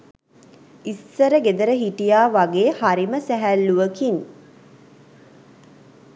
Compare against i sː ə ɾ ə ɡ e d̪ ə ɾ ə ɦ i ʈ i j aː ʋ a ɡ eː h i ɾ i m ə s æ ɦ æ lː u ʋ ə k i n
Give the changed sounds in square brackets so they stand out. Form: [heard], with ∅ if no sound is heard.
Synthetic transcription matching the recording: i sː ə ɾ ə ɡ e d̪ ə ɾ ə ɦ i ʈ i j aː ʋ a ɡ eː h [a] ɾ i m ə s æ ɦ æ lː u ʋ ə k i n